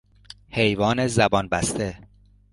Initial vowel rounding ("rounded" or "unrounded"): unrounded